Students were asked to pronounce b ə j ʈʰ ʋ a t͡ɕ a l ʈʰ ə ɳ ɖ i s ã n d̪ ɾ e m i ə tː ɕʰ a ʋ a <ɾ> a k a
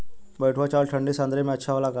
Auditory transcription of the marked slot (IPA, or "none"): l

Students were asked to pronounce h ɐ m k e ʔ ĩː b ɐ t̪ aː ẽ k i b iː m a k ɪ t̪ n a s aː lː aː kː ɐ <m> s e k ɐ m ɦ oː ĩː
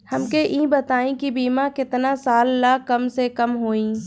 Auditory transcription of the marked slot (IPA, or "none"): m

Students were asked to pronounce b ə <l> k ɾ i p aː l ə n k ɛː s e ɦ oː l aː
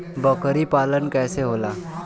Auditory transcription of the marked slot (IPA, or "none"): none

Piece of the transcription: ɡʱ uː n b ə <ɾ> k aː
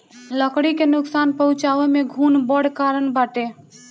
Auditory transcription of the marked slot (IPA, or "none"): ɽ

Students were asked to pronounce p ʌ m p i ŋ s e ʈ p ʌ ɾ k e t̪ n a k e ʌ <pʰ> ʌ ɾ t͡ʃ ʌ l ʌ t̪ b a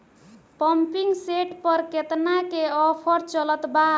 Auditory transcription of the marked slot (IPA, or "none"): pʰ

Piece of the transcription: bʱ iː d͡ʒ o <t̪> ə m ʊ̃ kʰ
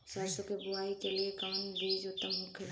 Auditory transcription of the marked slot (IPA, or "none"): t̪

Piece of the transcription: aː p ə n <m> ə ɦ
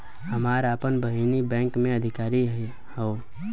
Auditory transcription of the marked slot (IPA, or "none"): b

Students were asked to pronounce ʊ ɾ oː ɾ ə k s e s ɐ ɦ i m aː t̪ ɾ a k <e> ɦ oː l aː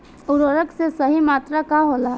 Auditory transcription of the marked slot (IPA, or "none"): a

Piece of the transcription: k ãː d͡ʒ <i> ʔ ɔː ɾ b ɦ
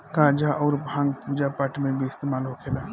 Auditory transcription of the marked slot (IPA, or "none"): a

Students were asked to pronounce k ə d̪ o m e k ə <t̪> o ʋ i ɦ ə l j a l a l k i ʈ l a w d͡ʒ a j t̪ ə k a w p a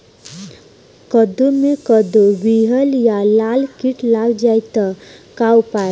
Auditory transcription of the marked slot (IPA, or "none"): d̪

